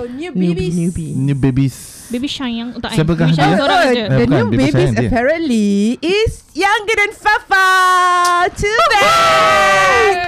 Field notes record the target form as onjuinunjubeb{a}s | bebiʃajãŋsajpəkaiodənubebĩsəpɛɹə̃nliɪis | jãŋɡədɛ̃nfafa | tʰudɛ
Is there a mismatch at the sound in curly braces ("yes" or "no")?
yes